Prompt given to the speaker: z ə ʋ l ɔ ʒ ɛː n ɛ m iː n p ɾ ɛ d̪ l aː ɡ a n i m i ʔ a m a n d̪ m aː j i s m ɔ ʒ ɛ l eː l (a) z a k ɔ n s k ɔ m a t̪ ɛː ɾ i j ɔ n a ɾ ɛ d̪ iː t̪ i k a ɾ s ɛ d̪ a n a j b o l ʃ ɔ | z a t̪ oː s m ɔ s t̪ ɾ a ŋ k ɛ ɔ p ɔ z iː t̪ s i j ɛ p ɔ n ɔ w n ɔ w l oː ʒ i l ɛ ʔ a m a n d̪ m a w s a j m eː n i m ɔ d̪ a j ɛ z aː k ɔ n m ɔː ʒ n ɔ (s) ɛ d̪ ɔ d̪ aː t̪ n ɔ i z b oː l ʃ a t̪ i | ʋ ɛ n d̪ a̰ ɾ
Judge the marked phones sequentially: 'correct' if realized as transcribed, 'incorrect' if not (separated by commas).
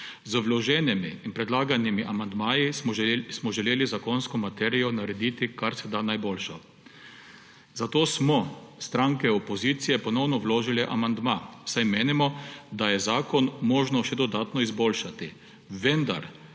incorrect, incorrect